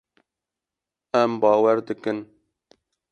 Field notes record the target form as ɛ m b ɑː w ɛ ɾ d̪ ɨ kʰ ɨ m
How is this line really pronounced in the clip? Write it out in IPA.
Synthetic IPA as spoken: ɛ m b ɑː w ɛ ɾ d̪ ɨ k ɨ n